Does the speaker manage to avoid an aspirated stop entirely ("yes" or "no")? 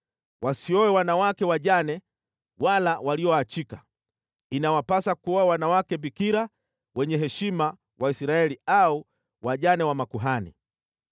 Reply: yes